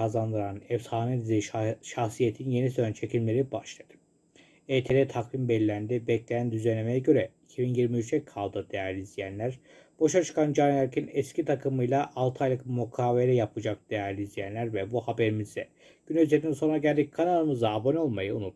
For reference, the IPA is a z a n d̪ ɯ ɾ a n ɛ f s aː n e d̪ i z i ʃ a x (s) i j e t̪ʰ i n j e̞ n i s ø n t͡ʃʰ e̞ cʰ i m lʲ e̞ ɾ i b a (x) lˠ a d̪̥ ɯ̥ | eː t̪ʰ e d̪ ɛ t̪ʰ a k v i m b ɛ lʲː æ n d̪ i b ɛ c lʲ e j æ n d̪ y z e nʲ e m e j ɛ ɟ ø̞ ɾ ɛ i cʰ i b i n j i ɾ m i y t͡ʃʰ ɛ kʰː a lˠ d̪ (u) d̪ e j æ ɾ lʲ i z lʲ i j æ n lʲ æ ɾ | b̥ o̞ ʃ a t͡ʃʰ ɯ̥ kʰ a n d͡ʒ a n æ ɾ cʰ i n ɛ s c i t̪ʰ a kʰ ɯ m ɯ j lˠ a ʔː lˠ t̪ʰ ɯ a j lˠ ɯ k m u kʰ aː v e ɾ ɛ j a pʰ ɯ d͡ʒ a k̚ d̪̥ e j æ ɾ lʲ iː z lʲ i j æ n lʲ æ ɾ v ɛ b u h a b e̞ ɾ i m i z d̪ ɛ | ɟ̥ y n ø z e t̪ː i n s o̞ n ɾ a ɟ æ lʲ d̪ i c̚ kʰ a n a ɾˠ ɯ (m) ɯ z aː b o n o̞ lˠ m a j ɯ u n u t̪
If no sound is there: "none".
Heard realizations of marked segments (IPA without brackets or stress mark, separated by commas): s, ʃ, ɯ, m